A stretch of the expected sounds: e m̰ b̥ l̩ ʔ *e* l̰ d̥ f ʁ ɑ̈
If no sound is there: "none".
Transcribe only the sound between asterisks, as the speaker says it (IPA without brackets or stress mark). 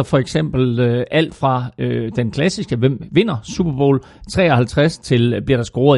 æ